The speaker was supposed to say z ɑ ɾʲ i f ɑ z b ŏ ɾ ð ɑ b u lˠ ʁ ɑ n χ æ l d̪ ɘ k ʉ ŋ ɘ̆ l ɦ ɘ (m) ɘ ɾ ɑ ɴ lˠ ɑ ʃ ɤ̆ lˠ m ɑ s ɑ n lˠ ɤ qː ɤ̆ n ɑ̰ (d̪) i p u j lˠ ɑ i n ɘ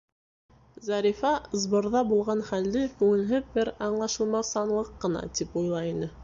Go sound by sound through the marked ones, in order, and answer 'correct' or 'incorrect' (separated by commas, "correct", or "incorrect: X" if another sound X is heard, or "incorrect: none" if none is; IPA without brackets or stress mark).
incorrect: b, incorrect: t̪